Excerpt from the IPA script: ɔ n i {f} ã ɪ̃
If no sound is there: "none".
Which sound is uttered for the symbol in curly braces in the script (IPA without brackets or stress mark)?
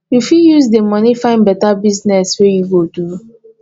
f